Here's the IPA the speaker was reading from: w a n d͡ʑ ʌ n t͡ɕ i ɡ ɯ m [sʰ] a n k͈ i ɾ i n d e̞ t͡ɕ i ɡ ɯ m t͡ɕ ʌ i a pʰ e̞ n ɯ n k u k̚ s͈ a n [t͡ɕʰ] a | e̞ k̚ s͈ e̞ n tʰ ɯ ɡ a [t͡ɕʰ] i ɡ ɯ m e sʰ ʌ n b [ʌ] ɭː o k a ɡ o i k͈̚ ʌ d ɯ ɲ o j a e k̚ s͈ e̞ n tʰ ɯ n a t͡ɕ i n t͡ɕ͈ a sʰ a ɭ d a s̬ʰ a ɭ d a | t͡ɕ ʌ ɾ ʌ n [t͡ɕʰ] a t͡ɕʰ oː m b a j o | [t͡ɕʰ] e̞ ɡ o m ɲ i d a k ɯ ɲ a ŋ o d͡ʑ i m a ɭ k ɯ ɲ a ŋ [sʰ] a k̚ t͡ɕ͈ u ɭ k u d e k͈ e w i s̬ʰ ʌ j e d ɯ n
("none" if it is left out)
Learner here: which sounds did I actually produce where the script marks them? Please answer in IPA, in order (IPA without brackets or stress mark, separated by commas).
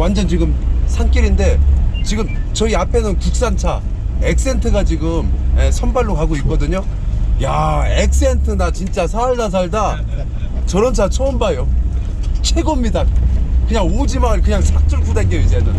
sʰ, t͡ɕʰ, t͡ɕ, a, t͡ɕʰ, t͡ɕʰ, sʰ